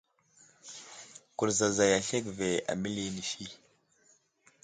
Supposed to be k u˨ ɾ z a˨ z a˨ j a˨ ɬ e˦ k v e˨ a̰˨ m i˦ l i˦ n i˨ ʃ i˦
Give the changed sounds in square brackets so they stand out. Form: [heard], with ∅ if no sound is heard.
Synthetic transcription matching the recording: k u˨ ɾ z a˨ z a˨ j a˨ ɬ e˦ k v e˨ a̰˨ m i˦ l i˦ n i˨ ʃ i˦